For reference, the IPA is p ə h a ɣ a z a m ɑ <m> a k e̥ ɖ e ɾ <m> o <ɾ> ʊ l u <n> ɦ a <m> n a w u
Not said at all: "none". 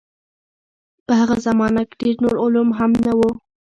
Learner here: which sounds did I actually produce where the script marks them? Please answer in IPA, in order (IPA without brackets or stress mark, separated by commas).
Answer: n, n, ɾ, m, m